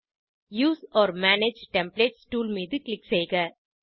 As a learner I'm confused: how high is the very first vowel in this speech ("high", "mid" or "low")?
high